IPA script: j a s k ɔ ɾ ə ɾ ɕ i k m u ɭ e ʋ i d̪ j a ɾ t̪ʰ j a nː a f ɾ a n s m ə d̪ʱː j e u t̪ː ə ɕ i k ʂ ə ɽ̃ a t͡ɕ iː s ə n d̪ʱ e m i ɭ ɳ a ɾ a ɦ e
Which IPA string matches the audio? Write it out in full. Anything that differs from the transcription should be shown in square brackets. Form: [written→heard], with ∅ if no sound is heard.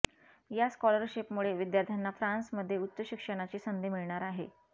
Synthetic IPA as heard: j a s k ɔ [ɾ→l] ə ɾ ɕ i [k→p] m u ɭ e ʋ i d̪ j a ɾ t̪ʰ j a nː a f ɾ a n s m ə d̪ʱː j e u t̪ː ə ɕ i k ʂ ə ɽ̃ a t͡ɕ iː s ə n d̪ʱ e m i ɭ ɳ a ɾ a ɦ e

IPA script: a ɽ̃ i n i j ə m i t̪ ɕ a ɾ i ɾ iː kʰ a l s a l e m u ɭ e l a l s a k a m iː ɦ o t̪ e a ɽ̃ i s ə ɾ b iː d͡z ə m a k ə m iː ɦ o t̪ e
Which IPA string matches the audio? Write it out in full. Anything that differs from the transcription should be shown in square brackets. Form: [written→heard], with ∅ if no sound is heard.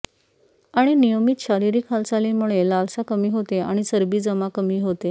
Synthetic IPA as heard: a ɽ̃ i n i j ə m i t̪ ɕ a ɾ i ɾ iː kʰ a l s a l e m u ɭ e l a l s a k [a→ə] m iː ɦ o t̪ e a ɽ̃ i s ə ɾ b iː d͡z ə m a k ə m iː ɦ o t̪ e

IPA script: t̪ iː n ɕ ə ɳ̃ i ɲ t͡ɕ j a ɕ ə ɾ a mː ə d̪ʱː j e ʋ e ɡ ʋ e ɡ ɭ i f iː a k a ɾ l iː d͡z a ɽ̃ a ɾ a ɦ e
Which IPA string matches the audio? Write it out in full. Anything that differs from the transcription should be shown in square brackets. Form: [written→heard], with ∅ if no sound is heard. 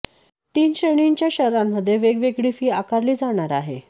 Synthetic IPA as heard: t̪ iː n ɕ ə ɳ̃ i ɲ t͡ɕ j a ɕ ə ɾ a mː ə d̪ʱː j e ʋ e ɡ ʋ e ɡ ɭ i f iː a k a ɾ l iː d͡z a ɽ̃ a ɾ a ɦ e

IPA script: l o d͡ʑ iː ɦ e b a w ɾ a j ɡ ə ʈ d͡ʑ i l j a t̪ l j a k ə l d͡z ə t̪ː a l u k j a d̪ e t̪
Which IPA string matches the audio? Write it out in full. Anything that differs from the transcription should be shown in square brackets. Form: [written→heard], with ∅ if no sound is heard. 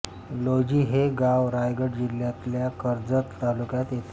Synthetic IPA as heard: l o d͡ʑ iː ɦ e [b→ɡ] a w ɾ a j ɡ ə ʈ d͡ʑ i l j a t̪ l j a k ə [l→ɾ] d͡z ə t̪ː a l u k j a [d̪→t̪] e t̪

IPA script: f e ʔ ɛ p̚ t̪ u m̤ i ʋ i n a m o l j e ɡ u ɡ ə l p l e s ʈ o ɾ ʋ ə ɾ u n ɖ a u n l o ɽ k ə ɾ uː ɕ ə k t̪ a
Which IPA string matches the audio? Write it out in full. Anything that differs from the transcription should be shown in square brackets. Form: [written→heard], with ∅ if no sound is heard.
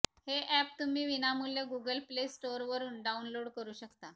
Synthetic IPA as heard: [f→h] e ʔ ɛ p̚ t̪ u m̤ [i→iː] ʋ i n a m [o→u] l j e ɡ u ɡ ə l p l e s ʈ o ɾ ʋ ə ɾ [u→uː] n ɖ a u n l o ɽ k ə ɾ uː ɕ ə k t̪ a

